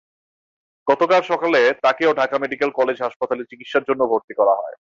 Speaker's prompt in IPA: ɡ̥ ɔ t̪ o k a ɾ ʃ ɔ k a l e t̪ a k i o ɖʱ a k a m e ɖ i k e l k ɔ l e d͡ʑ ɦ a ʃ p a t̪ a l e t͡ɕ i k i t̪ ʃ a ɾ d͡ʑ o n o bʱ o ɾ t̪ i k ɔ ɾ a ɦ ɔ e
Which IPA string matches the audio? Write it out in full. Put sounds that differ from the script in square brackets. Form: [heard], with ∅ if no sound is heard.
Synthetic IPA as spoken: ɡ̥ ɔ t̪ o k a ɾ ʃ ɔ k a l e t̪ a k [e] o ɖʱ a k a m e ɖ i k e l k ɔ l e d͡ʑ ɦ a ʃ p a t̪ a l e t͡ɕ i k i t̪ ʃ a ɾ d͡ʑ o [nː] o bʱ o ɾ t̪ i k ɔ ɾ a ɦ ɔ e